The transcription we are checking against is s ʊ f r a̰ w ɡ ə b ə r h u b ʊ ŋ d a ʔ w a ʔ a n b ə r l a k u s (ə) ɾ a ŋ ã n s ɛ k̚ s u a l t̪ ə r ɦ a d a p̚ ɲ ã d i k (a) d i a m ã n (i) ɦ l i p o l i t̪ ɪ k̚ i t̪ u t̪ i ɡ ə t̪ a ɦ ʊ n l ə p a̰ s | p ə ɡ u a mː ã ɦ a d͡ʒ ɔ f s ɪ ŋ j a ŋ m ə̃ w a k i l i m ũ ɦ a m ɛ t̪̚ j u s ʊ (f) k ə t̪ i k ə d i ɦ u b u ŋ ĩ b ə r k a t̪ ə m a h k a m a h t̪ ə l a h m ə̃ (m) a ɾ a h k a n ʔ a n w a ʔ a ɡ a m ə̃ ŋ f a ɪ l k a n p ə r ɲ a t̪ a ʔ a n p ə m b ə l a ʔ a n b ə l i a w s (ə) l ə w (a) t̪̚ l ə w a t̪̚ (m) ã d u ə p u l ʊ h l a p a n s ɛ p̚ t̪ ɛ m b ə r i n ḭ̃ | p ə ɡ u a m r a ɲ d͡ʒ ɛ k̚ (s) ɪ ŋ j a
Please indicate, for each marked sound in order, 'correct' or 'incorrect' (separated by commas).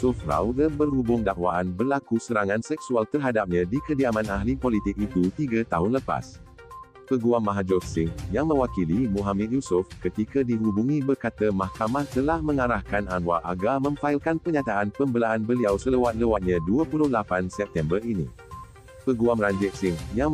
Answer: correct, incorrect, incorrect, correct, incorrect, correct, correct, incorrect, correct